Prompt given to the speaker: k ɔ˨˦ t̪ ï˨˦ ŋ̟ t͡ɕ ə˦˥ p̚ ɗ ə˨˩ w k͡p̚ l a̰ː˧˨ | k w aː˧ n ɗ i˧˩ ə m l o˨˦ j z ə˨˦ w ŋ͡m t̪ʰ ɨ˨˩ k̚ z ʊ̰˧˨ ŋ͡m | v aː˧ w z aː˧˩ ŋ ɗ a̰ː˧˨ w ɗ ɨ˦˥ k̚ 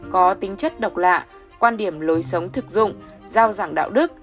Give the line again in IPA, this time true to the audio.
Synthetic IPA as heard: k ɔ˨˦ t̪ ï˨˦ ŋ̟ t͡ɕ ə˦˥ t̚ ɗ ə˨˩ w k͡p̚ l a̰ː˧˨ | k w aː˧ n ɗ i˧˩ ə m l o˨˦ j s ə˨˦ w ŋ͡m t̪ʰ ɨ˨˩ k̚ z ʊ̰˧˨ ŋ͡m | z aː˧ w z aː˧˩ ŋ ɗ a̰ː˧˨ w ɗ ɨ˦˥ k̚

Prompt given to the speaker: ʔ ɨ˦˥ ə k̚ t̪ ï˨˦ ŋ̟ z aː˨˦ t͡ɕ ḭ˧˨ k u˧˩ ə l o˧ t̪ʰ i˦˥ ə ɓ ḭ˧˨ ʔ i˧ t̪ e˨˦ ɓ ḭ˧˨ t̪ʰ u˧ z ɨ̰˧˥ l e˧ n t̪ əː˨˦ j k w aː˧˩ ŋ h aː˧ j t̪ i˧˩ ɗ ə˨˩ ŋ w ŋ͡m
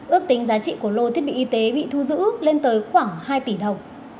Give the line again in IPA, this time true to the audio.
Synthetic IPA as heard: ʔ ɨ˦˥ ə k̚ t̪ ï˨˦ ŋ̟ z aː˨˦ t͡ɕ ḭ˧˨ k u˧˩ ə l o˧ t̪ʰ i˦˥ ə ɓ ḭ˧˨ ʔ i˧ t̪ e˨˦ ɓ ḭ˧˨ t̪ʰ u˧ z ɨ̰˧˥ l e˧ n t̪ əː˨˦ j x w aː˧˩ ŋ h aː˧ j t̪ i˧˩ ɗ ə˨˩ w ŋ͡m

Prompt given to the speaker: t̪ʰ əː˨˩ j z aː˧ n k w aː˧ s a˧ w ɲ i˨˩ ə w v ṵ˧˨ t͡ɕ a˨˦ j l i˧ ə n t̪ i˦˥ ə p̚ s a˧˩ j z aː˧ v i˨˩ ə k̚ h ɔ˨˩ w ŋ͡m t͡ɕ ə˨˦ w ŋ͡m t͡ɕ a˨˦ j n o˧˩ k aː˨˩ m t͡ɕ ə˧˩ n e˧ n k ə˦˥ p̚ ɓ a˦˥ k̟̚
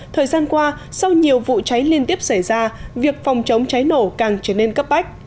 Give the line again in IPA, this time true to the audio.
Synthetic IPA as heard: t̪ʰ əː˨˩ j z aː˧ n k w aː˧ s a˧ w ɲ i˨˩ ə w v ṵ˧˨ t͡ɕ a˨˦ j l i˧ ə n t̪ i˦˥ ə p̚ s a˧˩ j z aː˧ v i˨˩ ə k̚ f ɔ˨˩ w ŋ͡m t͡ɕ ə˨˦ w ŋ͡m t͡ɕ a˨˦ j n o˧˩ k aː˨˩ ŋ t͡ɕ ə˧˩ n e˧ n k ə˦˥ p̚ ɓ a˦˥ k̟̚

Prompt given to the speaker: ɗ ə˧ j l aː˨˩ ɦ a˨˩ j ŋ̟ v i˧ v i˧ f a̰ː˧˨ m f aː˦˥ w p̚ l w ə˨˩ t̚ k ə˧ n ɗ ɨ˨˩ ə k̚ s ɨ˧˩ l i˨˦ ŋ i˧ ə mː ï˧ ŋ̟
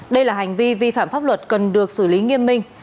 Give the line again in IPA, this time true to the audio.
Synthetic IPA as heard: ɗ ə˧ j l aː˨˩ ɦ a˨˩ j ŋ̟ v i˧ v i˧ f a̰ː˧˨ m f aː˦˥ p̚ l w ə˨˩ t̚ k ə˨˩ n ɗ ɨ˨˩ ə k̚ s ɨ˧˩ l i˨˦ ŋ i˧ ə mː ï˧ ŋ̟

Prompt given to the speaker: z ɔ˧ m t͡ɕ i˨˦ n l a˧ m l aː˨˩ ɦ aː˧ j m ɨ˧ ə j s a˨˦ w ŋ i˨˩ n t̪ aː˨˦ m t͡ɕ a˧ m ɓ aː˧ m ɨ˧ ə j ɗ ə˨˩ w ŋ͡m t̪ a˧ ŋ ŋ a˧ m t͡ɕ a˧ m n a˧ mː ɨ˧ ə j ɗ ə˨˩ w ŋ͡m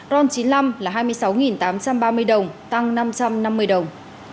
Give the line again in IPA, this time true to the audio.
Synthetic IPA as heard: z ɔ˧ n t͡ɕ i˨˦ n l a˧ m l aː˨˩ ɦ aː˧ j m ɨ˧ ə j s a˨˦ w ŋ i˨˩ n t̪ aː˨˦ m t͡ɕ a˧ m ɓ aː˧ m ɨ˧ ə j ɗ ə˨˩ w ŋ͡m t̪ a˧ ŋ n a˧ m t͡ɕ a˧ m n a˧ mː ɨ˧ ə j ɗ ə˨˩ w ŋ͡m

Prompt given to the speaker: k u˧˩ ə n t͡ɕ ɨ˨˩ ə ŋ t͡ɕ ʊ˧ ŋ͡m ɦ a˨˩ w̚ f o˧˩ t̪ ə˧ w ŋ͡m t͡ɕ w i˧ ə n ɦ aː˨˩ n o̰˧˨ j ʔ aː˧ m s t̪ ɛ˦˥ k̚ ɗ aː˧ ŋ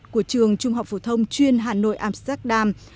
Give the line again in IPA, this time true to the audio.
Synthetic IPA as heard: k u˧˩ ə t͡ɕ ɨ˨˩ ə ŋ t͡ɕ ʊ˧ ŋ͡m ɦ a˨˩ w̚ f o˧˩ t̪ʰ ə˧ w ŋ͡m t͡ɕ w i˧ ə n ɦ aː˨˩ n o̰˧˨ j ʔ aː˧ m s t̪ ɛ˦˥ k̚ ɗ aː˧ m

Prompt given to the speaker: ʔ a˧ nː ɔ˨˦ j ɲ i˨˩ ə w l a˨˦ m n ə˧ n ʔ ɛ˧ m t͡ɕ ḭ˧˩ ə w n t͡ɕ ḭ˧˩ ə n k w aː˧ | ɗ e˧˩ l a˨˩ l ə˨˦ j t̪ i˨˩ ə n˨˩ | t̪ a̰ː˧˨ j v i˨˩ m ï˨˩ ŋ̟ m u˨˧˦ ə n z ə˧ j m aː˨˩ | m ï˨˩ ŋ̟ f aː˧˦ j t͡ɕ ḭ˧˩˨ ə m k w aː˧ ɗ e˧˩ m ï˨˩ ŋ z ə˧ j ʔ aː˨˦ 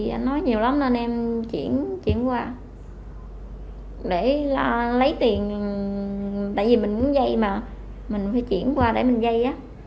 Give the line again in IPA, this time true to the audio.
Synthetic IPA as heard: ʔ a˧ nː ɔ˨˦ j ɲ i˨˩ ə w l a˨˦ m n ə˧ n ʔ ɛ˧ m t͡ɕ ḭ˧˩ ə n t͡ɕ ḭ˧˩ ə n k w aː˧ | ɗ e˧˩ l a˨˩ l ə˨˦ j t̪ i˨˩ ə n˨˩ | t̪ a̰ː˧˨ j v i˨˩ m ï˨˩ ŋ̟ m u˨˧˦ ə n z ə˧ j m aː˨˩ | m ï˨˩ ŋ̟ f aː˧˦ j t͡ɕ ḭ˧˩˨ ə n k w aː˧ ɗ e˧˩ m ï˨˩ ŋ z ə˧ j ʔ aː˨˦

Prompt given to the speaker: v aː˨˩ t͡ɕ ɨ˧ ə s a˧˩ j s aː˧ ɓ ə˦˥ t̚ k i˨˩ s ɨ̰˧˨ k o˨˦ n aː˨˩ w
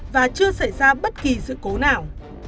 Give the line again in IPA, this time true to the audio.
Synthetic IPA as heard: v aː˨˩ t͡ɕ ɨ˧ ə s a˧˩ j z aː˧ ɓ ə˦˥ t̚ k i˨˩ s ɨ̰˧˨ k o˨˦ n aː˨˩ w

